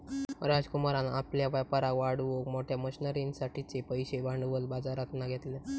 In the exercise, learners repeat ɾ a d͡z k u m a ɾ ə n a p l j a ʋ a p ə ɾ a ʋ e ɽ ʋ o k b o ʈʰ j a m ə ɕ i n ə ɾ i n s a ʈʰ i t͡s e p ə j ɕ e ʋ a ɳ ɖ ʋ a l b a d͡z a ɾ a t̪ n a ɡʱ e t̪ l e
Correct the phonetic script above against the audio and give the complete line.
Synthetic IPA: ɾ a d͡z k u m a ɾ a n a p l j a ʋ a p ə ɾ a ʋ a ɽ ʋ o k m o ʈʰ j a m ə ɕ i n ə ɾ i n s a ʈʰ i t͡s e p ə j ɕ e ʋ a ɳ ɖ ʋ ə l b a d͡z a ɾ a t̪ n a ɡʱ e t̪ l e